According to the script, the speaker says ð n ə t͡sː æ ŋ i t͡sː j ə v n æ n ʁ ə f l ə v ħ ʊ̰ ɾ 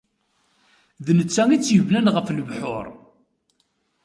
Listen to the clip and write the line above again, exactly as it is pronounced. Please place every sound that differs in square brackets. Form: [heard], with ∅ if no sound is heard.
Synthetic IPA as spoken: ð n ə t͡sː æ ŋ i t͡sː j ə v n æ n ʁ ə f l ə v ħ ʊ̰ ɾ